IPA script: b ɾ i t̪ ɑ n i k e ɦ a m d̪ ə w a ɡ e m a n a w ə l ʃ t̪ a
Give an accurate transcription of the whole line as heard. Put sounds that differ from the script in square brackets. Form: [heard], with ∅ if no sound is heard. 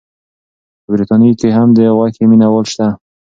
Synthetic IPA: b ɾ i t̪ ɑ n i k e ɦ a m d̪ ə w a [k] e m [i] n a w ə l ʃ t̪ a